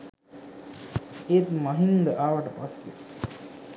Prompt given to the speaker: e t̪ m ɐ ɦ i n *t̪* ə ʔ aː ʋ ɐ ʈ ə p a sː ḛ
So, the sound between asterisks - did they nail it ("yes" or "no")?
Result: no